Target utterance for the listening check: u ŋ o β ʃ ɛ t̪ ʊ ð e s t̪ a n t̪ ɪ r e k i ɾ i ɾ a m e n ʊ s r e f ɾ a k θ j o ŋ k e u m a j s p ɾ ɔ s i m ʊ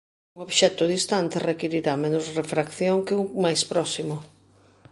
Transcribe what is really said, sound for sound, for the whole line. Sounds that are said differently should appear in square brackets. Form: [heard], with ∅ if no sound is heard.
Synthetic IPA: u ŋ o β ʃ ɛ t̪ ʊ ð [i] s t̪ a n t̪ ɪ r e k i ɾ i ɾ a m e n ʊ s r e f ɾ a k θ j o ŋ k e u m a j s p ɾ ɔ s i m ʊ